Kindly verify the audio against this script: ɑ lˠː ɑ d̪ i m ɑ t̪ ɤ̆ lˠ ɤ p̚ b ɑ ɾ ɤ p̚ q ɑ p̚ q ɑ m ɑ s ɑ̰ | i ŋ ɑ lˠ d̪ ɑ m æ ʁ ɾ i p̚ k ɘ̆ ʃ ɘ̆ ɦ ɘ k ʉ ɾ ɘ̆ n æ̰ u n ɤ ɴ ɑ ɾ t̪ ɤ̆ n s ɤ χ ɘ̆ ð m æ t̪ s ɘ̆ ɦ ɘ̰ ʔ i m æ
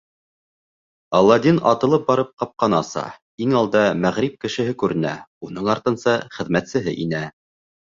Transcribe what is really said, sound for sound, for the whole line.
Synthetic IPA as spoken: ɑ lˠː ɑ d̪ i n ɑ t̪ ɤ̆ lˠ ɤ p̚ b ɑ ɾ ɤ p̚ q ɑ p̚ q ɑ n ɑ s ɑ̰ | i ŋ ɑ lˠ d̪ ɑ m æ ʁ ɾ i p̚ k ɘ̆ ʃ ɘ̆ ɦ ɘ k ʉ ɾ ɘ̆ n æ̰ u n ɤ ɴ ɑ ɾ t̪ ɤ̆ n s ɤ χ ɘ̆ ð m æ t̪ s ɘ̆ ɦ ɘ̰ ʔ i n æ